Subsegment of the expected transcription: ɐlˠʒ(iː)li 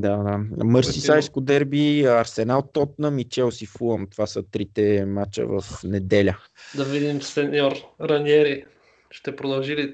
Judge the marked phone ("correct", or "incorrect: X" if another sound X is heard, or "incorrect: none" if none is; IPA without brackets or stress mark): incorrect: i